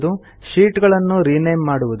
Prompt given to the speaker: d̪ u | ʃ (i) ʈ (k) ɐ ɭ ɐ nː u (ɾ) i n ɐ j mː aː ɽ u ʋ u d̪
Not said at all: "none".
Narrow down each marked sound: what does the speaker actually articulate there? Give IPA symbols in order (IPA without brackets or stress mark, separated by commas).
iː, ɡ, ɾ